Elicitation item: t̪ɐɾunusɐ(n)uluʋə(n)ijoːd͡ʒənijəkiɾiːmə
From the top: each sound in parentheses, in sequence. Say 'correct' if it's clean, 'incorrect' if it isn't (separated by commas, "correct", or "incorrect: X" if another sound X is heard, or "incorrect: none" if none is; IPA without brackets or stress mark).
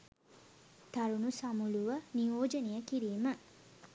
incorrect: m, correct